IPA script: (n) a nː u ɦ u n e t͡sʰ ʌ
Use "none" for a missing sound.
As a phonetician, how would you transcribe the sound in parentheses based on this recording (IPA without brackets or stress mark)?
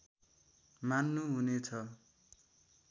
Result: m